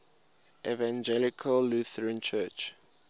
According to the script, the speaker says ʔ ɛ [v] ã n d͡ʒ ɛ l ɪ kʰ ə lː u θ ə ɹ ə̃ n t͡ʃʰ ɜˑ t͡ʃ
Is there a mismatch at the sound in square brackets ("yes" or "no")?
no